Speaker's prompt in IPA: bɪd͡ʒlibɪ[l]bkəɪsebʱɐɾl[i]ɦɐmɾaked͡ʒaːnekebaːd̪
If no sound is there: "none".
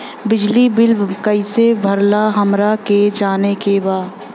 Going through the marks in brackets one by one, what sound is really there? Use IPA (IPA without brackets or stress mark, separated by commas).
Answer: l, a